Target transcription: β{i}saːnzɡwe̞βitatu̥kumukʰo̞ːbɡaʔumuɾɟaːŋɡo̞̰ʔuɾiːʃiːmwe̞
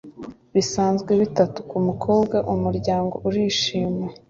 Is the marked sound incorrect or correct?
correct